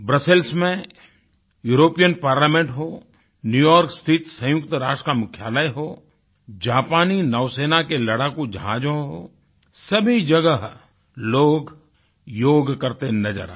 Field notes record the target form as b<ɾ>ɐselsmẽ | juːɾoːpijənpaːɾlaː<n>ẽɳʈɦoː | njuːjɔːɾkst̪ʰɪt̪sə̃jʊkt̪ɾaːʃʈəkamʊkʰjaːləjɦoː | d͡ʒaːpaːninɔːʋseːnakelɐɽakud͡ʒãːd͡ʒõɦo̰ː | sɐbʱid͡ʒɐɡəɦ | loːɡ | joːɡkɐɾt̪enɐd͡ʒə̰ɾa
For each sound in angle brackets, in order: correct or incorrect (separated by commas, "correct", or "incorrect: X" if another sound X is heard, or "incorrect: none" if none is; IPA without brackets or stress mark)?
correct, incorrect: m